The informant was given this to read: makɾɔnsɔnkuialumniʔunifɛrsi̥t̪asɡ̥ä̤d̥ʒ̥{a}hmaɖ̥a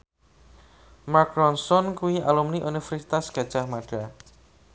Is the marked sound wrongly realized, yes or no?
no